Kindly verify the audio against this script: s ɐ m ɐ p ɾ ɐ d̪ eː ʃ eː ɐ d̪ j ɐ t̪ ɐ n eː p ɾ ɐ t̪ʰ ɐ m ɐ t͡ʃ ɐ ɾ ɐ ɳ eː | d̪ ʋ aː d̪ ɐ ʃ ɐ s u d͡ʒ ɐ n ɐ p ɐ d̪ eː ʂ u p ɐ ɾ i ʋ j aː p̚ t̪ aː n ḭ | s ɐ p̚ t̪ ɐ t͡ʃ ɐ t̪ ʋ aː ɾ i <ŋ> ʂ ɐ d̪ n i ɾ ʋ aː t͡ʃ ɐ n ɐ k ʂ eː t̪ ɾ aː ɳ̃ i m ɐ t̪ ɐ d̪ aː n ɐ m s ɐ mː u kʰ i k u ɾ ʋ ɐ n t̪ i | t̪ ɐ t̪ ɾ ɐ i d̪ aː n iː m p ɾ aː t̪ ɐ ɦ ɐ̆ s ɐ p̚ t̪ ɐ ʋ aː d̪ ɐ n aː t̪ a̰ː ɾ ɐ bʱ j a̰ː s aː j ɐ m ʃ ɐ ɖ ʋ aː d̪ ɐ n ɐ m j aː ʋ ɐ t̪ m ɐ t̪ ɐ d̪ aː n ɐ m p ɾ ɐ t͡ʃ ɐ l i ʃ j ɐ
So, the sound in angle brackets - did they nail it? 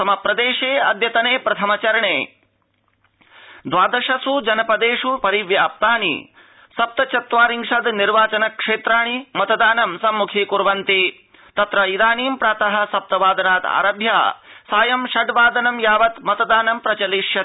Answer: yes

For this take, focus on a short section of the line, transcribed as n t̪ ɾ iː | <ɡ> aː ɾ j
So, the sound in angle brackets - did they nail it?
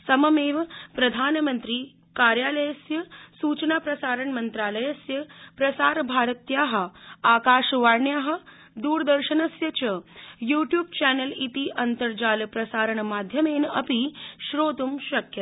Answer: no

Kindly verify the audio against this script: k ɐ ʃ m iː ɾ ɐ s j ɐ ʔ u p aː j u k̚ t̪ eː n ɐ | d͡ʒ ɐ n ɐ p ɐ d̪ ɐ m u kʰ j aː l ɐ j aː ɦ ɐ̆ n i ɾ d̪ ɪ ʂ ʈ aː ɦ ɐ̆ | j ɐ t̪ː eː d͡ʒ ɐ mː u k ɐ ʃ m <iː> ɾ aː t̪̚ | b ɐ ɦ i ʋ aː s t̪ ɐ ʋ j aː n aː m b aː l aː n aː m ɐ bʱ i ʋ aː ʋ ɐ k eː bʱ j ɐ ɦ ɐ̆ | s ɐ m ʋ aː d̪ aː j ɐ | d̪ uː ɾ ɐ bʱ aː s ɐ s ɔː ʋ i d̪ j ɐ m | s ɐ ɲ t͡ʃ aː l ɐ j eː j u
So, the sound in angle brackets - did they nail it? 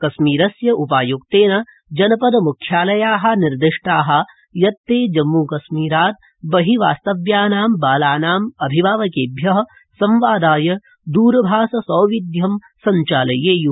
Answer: yes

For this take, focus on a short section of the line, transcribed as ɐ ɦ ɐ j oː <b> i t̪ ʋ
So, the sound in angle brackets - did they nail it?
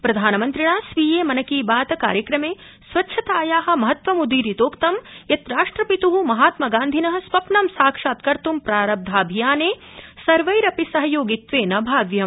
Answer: no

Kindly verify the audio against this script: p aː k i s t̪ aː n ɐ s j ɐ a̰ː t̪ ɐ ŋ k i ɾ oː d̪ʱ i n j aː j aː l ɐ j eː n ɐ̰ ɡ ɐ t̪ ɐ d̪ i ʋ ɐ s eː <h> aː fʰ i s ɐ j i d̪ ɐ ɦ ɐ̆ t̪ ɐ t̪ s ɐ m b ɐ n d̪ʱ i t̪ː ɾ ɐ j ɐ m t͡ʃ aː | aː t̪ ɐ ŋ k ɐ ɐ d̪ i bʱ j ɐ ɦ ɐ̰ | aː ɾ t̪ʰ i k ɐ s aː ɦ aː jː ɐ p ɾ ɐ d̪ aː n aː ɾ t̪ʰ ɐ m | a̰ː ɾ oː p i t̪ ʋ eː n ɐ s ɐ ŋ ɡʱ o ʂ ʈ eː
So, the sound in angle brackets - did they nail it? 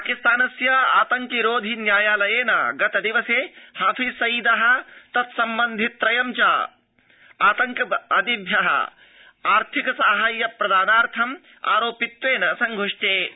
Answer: yes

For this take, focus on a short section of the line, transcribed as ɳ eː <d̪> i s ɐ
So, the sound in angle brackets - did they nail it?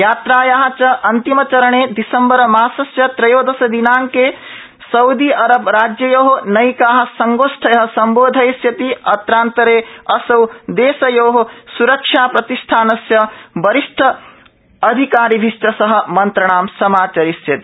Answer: yes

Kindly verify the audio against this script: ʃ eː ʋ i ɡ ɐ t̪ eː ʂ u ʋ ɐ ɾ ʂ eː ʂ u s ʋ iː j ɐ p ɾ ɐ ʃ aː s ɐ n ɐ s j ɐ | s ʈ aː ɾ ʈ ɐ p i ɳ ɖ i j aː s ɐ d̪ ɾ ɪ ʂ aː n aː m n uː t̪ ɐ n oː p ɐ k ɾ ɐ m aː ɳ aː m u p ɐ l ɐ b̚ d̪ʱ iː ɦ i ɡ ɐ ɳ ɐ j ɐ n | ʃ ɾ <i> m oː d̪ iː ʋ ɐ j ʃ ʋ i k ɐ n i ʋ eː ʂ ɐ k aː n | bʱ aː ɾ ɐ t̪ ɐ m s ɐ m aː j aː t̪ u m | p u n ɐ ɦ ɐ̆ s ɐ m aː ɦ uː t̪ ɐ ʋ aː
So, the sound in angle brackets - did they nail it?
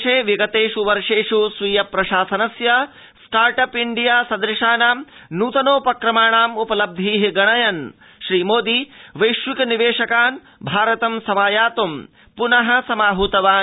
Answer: no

